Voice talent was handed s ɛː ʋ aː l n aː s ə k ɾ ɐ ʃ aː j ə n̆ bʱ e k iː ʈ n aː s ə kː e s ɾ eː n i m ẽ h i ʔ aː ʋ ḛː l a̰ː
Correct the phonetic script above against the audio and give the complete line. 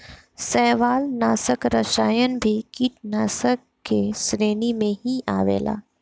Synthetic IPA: s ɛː ʋ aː l n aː s ə k ɾ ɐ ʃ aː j ə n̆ bʱ i k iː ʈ n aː s ə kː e s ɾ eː n i m ẽ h i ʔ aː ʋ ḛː l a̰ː